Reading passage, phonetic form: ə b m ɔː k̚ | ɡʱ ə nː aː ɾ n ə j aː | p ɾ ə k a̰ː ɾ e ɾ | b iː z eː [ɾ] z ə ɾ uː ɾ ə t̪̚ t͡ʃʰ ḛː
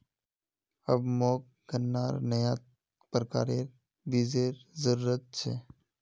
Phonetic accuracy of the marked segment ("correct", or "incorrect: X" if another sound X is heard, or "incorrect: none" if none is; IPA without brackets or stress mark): correct